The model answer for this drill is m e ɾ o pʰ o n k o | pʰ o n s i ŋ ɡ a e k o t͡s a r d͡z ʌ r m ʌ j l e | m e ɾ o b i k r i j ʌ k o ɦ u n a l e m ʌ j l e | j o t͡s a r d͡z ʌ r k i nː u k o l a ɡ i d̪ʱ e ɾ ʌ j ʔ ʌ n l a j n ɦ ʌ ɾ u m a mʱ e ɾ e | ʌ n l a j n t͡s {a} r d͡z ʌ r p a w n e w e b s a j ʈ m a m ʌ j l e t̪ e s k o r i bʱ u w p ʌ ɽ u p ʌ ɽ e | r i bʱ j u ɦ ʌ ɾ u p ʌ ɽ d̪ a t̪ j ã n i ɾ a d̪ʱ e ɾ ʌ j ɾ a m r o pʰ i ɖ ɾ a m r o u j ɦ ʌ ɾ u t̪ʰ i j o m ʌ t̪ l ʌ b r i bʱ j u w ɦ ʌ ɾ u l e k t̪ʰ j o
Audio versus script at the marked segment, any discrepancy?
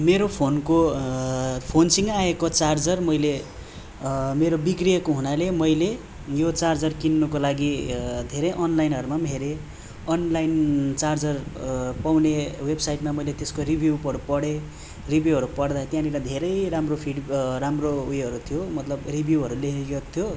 no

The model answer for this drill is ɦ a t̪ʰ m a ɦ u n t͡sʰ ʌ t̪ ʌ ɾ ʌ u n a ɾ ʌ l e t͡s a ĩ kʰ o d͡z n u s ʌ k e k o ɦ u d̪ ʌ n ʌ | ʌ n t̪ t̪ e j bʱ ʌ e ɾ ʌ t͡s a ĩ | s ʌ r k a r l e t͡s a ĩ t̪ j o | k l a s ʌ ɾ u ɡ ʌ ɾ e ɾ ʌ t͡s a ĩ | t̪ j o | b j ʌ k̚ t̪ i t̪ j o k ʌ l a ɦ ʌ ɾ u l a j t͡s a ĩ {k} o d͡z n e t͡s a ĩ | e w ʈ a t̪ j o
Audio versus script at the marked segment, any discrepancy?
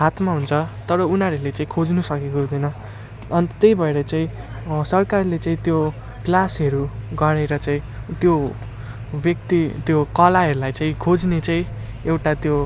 yes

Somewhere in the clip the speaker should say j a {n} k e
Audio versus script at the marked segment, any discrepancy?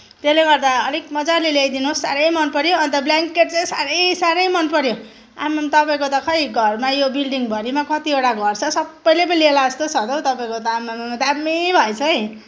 yes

